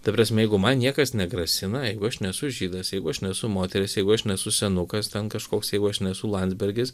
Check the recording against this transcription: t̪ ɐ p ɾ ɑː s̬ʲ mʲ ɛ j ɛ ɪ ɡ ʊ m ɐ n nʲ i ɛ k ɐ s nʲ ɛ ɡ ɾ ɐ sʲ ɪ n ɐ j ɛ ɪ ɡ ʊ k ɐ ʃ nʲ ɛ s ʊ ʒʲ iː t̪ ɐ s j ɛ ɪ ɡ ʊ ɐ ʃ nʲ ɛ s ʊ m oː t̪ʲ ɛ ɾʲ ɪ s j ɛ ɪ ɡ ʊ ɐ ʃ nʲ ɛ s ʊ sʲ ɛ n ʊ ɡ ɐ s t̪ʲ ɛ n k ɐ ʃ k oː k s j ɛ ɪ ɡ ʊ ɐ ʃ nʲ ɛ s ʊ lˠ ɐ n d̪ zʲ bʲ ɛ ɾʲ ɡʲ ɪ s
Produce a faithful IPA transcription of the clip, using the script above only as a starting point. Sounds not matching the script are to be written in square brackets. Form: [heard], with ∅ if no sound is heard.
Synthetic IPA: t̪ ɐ p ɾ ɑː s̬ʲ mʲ ɛ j ɛ ɪ ɡ ʊ m ɐ n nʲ i ɛ k ɐ s nʲ ɛ ɡ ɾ ɐ sʲ ɪ n ɐ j ɛ ɪ ɡ ʊ [∅] ɐ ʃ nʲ ɛ s ʊ ʒʲ iː [d̪] ɐ s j ɛ ɪ ɡ ʊ ɐ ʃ nʲ ɛ s ʊ m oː t̪ʲ ɛ ɾʲ ɪ s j ɛ ɪ ɡ ʊ ɐ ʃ nʲ ɛ s ʊ sʲ ɛ n ʊ [k] ɐ s t̪ʲ ɛ n k ɐ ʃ k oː k s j ɛ ɪ ɡ ʊ ɐ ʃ nʲ ɛ s ʊ lˠ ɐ n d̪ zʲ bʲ ɛ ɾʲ ɡʲ ɪ s